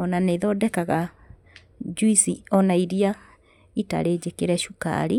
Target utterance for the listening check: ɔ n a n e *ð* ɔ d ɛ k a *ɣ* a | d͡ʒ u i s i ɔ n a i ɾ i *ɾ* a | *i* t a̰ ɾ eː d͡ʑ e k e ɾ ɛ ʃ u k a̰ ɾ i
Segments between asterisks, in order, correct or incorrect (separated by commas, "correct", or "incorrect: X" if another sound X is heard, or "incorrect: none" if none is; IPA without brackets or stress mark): correct, correct, incorrect: none, correct